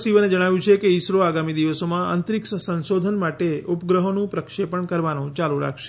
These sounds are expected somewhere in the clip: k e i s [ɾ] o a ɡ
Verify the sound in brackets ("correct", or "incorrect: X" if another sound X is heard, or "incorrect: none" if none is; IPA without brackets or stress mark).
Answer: correct